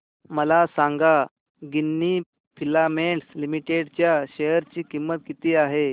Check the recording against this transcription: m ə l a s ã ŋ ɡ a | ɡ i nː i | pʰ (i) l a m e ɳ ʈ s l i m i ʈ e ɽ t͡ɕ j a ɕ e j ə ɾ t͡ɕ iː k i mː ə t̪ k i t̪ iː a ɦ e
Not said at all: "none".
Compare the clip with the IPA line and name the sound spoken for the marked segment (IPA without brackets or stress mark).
i